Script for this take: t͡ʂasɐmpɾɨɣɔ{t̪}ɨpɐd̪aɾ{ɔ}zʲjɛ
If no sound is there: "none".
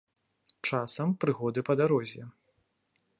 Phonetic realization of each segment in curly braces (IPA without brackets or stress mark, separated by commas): d̪, ɔ